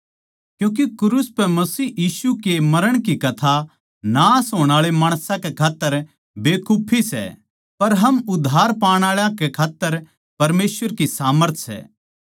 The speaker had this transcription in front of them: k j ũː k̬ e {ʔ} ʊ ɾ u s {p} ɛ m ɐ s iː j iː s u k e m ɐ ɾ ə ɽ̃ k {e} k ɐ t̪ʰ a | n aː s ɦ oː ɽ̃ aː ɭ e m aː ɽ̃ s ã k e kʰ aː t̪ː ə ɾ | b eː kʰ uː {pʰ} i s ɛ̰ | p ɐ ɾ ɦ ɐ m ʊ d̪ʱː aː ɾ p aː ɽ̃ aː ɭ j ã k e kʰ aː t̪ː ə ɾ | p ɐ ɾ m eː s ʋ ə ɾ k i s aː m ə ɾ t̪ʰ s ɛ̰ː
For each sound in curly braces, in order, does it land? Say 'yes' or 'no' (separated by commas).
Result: no, yes, no, yes